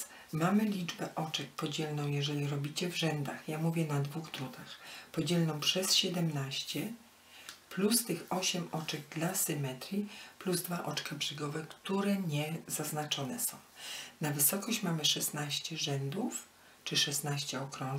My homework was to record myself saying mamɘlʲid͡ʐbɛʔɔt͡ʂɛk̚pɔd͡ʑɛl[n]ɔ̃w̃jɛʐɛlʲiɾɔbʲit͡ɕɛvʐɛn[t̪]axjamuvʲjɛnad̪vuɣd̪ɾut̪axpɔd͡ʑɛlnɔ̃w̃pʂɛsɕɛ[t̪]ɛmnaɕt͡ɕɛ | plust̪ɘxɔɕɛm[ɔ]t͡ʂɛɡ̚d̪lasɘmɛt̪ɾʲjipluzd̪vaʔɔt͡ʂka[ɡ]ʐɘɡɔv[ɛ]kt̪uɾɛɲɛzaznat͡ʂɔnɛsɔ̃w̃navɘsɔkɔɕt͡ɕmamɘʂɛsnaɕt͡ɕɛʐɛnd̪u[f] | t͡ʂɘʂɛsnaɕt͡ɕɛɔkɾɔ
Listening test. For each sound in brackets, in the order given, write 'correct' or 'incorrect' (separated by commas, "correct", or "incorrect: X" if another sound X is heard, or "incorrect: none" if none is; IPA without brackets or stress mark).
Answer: correct, incorrect: d̪, incorrect: d̪, correct, incorrect: b, correct, correct